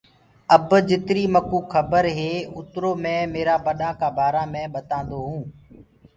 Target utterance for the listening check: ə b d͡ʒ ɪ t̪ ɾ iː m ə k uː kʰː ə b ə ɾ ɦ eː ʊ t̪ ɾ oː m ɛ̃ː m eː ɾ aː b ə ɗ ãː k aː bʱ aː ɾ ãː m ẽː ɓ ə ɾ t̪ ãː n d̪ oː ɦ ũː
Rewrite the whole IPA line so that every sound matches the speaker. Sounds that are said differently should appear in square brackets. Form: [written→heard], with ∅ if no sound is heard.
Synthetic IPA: ə b d͡ʒ ɪ t̪ ɾ iː m ə k uː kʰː ə b ə ɾ ɦ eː ʊ t̪ ɾ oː m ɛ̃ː m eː ɾ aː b ə ɗ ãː k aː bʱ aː ɾ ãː m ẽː ɓ ə [ɾ→∅] t̪ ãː n d̪ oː ɦ ũː